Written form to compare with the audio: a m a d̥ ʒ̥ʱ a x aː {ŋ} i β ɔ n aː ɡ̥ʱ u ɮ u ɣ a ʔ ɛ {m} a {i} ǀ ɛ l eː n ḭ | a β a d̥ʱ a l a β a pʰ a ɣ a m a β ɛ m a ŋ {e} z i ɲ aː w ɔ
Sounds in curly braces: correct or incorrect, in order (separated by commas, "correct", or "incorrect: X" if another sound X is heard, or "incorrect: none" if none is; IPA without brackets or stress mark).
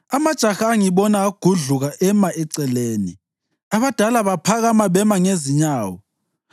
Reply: correct, correct, incorrect: ɛ, correct